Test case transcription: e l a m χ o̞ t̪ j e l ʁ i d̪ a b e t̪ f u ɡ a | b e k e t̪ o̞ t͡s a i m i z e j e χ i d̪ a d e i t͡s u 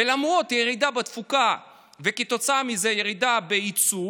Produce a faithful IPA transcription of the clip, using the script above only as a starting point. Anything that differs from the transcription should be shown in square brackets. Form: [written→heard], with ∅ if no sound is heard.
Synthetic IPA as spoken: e l a m [χ→ʁ] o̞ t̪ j e [l→∅] ʁ i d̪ a b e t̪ f u [ɡ→k] a | [b→v] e k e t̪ o̞ t͡s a [i→a] m i z e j e [χ→ʁ] i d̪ a [d→b] e i t͡s u

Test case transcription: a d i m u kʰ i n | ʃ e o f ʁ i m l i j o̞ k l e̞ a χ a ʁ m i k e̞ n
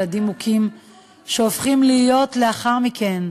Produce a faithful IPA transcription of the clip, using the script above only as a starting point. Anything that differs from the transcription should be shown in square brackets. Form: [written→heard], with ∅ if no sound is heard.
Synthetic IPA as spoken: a d i m u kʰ i [n→m] | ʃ e o f [ʁ→χ] i m l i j o̞ [k→t] l e̞ a χ a ʁ m i k e̞ n

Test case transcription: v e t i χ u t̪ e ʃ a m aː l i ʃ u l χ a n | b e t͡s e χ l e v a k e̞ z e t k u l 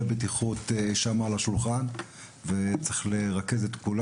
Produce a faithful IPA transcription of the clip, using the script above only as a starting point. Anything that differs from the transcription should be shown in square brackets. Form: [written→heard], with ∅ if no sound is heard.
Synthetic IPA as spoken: [v→b] e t i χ u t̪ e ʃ a m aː l [i→a] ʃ u l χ a n | [b→v] e t͡s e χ l e [v→ʁ] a k e̞ z e t k u l

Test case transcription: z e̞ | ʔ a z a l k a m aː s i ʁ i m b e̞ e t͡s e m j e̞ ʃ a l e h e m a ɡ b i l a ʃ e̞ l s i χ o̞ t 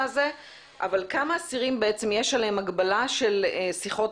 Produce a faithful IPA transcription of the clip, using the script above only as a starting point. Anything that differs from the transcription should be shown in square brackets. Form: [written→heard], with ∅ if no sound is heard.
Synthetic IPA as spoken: z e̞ | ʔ a [z→v] a l k a m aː s i ʁ i m b e̞ e t͡s e m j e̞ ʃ a l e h e m a ɡ b [i→a] l a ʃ e̞ l s i χ o̞ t

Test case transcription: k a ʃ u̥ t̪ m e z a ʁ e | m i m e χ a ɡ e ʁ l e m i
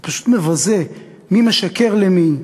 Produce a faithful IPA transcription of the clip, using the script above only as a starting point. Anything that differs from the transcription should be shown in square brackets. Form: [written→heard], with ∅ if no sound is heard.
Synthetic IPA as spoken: [k→p] a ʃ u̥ t̪ m e [z→v] a [ʁ→z] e | m i m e [χ→ʃ] a [ɡ→k] e ʁ l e m i

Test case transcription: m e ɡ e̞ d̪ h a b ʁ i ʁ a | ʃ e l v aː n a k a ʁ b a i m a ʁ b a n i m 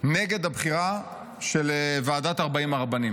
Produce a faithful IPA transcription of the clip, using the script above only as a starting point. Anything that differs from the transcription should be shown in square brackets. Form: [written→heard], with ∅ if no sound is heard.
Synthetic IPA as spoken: [m→n] e ɡ e̞ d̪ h a b [ʁ→χ] i ʁ a | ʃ e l v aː [n→d] a [k→t] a ʁ b a i m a ʁ b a n i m

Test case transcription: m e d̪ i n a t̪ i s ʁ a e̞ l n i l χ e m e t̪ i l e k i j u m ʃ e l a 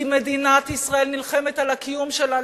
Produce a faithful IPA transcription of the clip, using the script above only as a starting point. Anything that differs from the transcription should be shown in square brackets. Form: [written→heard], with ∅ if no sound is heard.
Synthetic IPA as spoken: m e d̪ i n a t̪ i s ʁ a e̞ l n i l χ e m e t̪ [i→a] l [e→a] k i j u m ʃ e l a

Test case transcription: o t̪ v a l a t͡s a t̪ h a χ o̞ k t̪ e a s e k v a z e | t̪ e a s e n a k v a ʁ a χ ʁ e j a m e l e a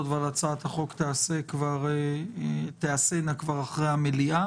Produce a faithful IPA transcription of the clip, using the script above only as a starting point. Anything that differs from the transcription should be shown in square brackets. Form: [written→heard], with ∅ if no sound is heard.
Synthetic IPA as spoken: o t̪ v a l a t͡s a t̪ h a χ o̞ k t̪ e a s e k v a [z→ʁ] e | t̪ e a s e n a k v a ʁ a χ ʁ e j a m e l [e→i] a

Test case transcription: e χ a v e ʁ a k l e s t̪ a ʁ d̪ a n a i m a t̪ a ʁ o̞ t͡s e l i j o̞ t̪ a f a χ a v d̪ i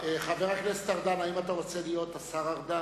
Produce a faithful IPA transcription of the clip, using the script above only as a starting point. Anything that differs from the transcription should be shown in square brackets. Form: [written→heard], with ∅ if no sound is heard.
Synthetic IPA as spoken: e χ a v e ʁ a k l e s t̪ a ʁ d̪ a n a i m a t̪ a ʁ o̞ t͡s e l i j o̞ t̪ a [f→s] a [χ→ʁ] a [v→ʁ] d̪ [i→a]

